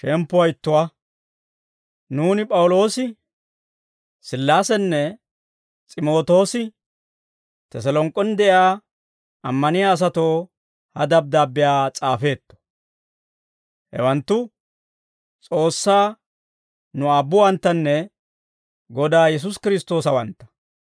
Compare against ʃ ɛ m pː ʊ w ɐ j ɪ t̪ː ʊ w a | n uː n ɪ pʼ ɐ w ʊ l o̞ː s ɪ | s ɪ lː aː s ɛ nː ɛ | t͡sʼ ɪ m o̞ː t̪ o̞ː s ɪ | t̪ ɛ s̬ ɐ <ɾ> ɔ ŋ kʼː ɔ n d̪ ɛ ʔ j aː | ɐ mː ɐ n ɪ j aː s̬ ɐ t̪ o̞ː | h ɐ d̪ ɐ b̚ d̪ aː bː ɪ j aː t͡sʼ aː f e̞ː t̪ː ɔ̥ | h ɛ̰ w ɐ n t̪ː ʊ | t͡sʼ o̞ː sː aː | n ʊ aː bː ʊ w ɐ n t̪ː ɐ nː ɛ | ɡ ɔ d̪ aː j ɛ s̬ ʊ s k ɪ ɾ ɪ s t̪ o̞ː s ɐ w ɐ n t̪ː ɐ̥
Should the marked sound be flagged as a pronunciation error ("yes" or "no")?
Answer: yes